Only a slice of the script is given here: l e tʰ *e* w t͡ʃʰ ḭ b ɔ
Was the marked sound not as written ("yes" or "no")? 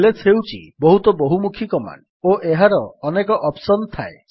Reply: no